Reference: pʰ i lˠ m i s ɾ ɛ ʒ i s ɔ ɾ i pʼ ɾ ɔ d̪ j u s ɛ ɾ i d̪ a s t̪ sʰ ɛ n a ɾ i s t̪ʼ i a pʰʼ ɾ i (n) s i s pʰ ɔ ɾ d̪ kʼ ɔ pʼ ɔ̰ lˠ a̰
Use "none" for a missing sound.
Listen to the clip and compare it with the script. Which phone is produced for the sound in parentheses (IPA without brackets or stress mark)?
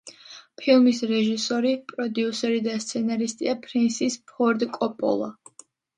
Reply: n